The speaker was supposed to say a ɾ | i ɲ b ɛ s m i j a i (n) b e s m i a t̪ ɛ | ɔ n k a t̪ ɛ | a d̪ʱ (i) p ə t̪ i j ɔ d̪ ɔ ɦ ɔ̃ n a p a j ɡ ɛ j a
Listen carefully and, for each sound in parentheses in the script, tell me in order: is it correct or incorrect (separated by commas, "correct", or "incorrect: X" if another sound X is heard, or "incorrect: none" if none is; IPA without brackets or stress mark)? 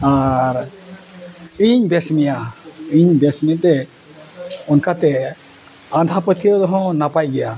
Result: incorrect: ɲ, incorrect: a